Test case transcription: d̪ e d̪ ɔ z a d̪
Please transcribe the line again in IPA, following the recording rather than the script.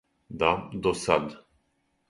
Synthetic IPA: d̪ a d̪ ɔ s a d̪